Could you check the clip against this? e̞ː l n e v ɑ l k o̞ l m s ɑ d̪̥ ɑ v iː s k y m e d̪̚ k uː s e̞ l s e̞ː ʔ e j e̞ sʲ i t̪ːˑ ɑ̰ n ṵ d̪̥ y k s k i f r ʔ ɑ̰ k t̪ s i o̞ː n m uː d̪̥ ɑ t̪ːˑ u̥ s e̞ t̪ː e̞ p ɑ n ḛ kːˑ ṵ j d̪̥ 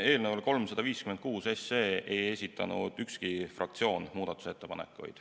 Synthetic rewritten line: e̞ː l n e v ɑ l k o̞ l m s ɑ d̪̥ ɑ v iː s k y m e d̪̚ k uː s e̞ s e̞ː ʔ e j e̞ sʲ i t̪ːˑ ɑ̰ n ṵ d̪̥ y k s k i f r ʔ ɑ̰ k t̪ s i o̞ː n m uː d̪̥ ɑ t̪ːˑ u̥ s e̞ t̪ː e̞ p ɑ n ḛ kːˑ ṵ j d̪̥